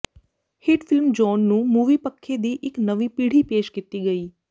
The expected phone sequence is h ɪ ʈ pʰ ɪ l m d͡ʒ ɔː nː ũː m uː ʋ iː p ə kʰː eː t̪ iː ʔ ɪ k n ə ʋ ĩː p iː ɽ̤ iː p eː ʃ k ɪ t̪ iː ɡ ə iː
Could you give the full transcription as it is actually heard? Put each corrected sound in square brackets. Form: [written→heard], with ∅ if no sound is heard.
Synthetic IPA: h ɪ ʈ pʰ ɪ l m d͡ʒ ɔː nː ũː m uː ʋ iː p ə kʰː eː [t̪→d̪] iː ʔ ɪ k n ə ʋ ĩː p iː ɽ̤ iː p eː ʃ k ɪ t̪ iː ɡ ə iː